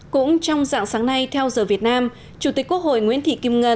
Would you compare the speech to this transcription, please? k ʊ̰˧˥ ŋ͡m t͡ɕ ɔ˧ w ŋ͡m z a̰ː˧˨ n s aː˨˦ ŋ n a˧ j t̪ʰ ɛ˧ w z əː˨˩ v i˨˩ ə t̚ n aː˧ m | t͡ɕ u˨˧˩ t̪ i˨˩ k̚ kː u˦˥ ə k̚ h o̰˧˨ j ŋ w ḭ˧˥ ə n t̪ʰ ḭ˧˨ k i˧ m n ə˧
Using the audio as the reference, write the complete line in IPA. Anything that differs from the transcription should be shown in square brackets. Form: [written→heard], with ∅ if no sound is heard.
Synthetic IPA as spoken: k ʊ̰˧˥ ŋ͡m t͡ɕ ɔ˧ w ŋ͡m z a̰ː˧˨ [n→ŋ] s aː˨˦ ŋ n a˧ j t̪ʰ ɛ˧ w z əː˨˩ v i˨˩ ə t̚ n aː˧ m | t͡ɕ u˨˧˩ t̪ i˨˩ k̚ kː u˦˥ ə k̚ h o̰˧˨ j ŋ w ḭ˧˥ ə n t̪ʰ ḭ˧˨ k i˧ m [n→ŋ] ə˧